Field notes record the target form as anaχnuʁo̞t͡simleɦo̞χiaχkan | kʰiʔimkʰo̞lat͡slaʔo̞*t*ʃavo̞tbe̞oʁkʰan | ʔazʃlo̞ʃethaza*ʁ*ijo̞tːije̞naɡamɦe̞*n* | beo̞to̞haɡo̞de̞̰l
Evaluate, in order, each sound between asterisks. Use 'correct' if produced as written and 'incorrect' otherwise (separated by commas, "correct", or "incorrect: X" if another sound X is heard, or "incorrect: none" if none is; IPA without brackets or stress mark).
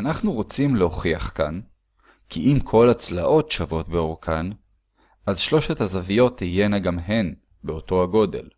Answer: correct, incorrect: v, correct